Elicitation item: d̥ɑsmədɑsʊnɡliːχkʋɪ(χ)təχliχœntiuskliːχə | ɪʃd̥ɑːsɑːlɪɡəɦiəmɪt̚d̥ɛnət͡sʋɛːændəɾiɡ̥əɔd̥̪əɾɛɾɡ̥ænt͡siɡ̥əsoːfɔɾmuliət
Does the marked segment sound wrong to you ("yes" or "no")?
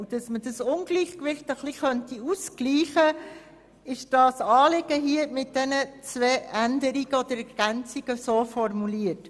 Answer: no